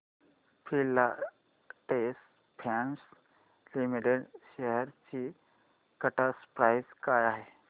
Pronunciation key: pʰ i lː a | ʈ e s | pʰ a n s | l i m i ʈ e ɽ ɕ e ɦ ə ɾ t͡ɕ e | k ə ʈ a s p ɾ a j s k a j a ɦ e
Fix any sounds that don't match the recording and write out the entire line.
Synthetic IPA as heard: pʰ i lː a | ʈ e s | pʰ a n s | l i m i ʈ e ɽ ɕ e ɦ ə ɾ t͡ɕ i | k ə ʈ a s p ɾ a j s k a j a ɦ e